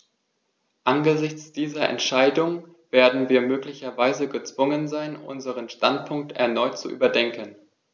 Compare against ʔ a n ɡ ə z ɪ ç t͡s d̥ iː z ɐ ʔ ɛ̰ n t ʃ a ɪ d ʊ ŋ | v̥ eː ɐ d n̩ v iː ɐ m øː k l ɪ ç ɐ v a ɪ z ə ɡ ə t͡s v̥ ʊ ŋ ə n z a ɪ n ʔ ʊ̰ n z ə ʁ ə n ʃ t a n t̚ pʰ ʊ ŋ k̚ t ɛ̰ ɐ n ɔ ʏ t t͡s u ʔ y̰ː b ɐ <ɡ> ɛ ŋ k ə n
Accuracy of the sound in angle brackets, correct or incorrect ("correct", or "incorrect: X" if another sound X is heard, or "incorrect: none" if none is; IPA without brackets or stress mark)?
incorrect: d